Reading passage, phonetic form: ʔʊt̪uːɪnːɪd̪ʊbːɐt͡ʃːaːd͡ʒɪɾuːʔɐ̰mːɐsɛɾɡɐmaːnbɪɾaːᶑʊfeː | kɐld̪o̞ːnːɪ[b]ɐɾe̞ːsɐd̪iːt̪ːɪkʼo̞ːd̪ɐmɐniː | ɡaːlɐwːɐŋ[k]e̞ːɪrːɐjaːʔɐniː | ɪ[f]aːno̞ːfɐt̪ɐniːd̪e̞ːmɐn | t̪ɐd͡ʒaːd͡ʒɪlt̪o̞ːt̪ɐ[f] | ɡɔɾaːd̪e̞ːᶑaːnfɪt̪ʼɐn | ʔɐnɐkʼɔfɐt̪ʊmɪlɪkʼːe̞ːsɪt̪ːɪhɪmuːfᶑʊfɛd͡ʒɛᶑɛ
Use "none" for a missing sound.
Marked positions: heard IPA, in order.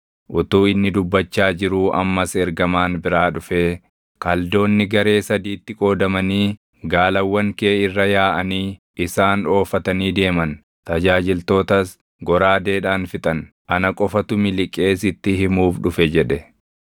ɡ, k, s, s

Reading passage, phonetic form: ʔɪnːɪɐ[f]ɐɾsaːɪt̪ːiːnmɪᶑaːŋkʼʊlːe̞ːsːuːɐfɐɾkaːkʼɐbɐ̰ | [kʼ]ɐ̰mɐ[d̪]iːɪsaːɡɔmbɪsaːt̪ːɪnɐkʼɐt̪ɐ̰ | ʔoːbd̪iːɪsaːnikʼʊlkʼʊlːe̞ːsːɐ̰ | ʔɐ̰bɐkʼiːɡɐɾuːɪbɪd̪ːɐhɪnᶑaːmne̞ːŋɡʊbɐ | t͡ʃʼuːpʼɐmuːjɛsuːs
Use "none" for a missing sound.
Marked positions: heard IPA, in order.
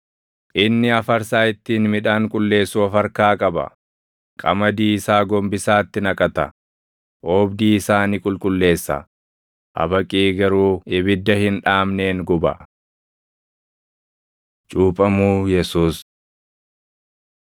f, kʼ, d̪

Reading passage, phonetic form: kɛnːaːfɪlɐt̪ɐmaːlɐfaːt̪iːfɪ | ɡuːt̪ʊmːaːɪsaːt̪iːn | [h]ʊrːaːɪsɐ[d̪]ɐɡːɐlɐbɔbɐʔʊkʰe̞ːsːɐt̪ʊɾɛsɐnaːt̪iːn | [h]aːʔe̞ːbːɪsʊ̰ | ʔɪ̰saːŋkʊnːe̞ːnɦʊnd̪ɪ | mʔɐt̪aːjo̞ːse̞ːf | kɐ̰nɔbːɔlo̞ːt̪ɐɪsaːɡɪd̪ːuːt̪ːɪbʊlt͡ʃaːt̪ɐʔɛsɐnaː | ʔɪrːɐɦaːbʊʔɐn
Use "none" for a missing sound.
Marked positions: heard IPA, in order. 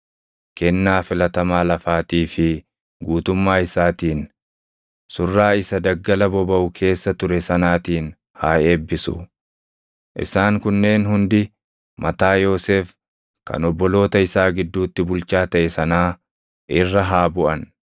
s, d̪, h

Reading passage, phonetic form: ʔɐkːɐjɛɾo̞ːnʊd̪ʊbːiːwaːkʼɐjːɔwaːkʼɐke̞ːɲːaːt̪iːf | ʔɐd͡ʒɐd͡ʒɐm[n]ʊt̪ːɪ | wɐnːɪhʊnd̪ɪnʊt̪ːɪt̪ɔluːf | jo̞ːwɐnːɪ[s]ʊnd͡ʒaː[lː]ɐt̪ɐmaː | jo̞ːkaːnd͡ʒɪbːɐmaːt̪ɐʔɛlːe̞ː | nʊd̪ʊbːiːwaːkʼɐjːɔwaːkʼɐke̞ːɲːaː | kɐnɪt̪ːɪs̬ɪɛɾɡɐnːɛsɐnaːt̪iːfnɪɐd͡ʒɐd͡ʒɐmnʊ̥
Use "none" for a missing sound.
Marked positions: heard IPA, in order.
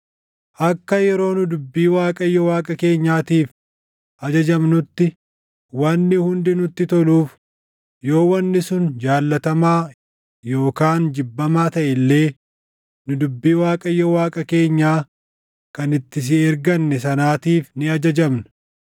n, s, lː

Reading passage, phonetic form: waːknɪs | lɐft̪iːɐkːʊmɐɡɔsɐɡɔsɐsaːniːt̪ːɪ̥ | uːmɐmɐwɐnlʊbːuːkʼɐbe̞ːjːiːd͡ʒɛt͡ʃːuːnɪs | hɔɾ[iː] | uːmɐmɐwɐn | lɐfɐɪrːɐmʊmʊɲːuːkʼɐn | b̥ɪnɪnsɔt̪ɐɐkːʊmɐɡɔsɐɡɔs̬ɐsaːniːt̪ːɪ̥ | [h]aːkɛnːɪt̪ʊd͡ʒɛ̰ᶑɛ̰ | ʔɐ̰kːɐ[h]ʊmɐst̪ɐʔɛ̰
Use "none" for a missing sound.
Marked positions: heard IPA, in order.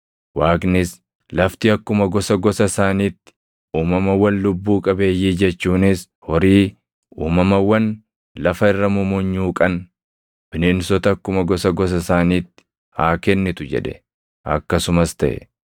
iː, h, s

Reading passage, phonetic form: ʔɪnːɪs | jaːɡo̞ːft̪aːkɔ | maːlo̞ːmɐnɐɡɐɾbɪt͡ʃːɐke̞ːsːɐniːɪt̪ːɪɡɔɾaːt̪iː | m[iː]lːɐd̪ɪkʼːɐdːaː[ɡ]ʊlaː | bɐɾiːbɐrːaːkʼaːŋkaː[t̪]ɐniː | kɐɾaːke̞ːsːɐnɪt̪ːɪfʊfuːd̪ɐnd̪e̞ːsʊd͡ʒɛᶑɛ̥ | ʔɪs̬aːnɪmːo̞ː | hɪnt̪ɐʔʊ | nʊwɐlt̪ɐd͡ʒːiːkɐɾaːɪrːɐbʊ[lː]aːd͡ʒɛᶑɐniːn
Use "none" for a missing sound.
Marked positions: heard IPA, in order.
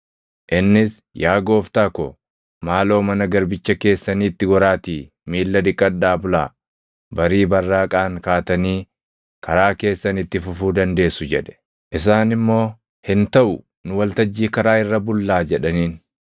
iː, b, t̪, lː

